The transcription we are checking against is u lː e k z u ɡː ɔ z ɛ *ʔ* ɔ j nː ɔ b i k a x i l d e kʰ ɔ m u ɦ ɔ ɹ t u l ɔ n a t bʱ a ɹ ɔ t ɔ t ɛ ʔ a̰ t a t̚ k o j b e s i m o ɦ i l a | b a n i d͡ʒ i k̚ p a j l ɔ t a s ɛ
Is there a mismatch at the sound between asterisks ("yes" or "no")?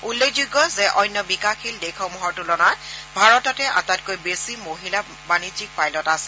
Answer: no